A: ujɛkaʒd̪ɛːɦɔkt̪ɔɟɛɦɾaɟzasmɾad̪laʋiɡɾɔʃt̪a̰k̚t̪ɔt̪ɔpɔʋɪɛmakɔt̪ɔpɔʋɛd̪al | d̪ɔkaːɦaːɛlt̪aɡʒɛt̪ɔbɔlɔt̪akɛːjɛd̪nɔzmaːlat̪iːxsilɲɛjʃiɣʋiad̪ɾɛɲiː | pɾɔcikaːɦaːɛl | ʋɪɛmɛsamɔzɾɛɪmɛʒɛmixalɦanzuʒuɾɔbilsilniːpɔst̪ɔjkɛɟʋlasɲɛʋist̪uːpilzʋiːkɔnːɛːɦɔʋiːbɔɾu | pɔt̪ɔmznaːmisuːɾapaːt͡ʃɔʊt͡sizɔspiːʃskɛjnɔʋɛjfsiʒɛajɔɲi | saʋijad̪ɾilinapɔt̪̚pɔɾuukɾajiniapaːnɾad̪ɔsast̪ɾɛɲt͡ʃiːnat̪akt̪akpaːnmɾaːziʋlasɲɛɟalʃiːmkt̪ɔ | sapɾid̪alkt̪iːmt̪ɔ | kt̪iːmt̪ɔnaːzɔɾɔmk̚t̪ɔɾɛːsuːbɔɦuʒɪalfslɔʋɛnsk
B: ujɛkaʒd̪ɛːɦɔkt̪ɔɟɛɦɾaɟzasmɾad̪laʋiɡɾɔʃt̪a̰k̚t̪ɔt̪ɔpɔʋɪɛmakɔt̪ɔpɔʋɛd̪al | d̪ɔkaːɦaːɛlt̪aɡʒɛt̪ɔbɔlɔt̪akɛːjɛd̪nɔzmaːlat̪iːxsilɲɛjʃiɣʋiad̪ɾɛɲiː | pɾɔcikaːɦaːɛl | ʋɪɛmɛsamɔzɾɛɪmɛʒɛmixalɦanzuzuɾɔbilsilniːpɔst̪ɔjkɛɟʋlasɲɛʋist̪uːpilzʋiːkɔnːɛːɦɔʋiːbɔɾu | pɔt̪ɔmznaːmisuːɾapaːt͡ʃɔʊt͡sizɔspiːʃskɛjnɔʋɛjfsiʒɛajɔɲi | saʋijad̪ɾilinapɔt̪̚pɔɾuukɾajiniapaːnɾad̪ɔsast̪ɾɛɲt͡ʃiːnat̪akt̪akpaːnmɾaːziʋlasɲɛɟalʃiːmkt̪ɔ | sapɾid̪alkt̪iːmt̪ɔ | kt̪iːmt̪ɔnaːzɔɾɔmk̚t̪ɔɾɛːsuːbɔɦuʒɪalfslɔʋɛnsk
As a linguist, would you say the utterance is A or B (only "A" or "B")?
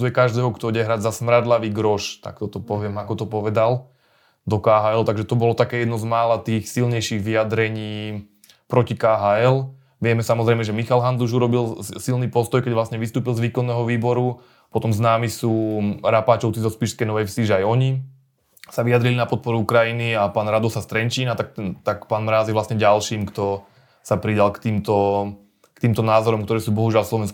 A